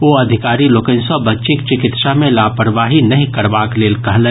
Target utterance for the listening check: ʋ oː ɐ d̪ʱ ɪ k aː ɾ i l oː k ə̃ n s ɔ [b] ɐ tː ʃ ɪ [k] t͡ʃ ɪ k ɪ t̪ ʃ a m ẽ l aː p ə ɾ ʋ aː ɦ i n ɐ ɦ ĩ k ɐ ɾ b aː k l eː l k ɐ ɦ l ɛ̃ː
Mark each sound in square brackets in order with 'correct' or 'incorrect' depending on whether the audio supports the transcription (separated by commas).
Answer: correct, correct